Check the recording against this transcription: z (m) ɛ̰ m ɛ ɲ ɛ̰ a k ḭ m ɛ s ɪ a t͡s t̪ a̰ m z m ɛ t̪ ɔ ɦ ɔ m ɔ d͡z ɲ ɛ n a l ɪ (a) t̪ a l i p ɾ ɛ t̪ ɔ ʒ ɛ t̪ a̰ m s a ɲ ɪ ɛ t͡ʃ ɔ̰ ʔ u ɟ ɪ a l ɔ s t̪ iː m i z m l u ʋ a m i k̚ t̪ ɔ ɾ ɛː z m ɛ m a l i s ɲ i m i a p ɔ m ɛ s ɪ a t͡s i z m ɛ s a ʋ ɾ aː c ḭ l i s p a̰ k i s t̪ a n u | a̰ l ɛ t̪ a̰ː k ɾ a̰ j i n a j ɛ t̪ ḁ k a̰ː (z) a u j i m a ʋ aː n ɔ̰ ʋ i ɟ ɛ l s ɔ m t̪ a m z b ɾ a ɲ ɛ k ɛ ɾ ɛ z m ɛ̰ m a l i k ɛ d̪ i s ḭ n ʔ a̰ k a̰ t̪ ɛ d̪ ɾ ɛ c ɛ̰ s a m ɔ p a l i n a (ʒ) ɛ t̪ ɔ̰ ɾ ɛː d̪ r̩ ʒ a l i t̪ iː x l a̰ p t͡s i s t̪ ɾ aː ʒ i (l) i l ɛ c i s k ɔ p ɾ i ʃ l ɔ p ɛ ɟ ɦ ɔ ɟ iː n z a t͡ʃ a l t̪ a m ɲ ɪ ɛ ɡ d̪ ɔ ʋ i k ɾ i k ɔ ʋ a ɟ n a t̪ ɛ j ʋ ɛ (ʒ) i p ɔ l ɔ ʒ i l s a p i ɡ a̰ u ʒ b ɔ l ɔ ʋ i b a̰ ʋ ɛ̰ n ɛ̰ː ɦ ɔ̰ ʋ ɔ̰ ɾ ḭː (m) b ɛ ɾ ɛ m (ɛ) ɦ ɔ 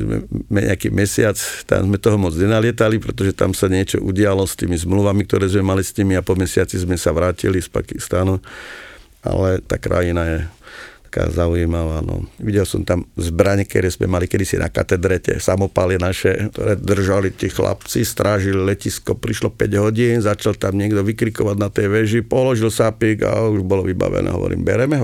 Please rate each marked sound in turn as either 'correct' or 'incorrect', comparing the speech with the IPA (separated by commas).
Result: correct, incorrect, correct, incorrect, correct, correct, correct, correct